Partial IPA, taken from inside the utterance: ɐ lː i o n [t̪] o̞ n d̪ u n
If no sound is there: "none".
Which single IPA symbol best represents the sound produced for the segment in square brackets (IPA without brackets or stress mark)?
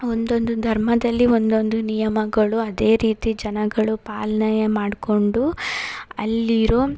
d̪